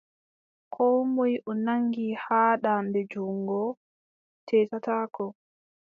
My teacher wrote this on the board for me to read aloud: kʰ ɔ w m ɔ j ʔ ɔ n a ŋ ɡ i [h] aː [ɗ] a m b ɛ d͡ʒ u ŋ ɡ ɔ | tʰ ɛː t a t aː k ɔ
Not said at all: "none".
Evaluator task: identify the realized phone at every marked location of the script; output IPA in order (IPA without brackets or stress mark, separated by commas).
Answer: h, ɗ